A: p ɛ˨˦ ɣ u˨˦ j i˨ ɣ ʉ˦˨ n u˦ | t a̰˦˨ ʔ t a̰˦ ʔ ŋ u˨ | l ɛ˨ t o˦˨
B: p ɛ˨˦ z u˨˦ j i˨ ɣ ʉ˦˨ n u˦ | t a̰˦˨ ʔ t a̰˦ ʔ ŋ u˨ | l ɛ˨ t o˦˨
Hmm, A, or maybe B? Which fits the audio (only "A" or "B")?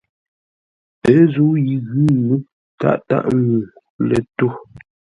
B